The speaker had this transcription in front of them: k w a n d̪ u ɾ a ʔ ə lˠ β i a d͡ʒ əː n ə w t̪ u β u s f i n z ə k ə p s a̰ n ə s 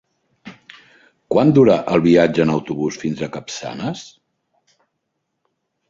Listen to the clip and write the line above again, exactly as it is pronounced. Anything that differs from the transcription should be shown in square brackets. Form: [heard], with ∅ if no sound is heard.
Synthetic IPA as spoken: k w a n d̪ u ɾ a ʔ ə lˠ β i a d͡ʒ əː n ə w t̪ u β u s f i n z ə k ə p s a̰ n ə s